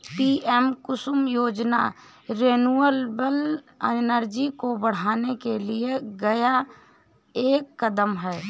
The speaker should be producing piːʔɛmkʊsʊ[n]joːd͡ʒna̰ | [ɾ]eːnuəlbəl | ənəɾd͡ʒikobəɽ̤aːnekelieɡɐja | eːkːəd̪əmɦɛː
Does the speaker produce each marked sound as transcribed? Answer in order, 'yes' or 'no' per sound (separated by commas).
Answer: no, yes